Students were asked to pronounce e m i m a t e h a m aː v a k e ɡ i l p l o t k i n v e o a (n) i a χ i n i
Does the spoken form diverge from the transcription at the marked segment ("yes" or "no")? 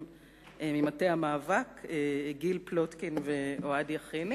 yes